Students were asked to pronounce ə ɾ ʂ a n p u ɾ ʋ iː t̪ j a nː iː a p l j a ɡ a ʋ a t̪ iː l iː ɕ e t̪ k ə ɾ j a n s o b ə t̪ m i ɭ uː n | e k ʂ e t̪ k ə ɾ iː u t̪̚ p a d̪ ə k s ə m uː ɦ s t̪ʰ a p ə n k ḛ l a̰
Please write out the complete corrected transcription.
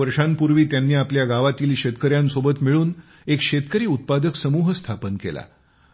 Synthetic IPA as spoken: ə ɾ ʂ a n p u ɾ ʋ iː t̪ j a nː iː a p l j a ɡ a ʋ a t̪ iː l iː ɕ e t̪ k ə ɾ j a n s o b ə t̪ m i ɭ uː n | e k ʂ e t̪ k ə ɾ iː u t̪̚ p a d̪ ə k s ə m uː ɦ s t̪ʰ a p ə n k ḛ l a̰